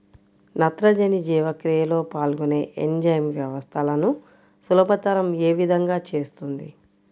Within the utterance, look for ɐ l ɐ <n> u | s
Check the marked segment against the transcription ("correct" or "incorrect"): correct